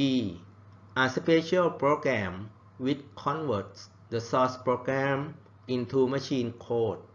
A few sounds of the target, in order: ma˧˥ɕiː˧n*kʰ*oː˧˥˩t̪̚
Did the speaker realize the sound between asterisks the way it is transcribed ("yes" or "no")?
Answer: yes